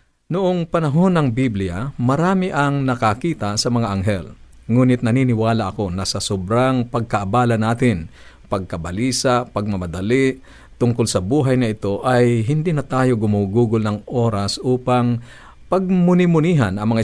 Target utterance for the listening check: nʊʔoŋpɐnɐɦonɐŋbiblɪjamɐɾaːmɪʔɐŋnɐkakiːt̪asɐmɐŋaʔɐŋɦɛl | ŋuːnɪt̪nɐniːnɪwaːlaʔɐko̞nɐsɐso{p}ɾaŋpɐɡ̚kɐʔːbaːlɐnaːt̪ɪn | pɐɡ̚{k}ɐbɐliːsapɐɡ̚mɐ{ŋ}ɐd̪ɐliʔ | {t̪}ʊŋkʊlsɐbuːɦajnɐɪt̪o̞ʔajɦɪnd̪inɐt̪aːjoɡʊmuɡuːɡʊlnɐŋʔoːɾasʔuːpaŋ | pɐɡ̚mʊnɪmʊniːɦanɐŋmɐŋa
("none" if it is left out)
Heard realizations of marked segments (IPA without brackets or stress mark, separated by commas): b, k, m, t̪